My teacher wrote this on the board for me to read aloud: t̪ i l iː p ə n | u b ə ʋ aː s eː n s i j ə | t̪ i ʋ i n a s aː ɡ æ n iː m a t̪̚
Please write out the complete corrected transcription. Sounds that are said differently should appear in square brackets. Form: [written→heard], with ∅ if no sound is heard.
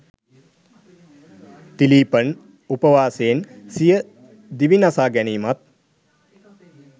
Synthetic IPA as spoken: t̪ i l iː p ə n | u [b→p] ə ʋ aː s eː n s i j ə | [t̪→d̪] i ʋ i n a s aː ɡ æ n iː m a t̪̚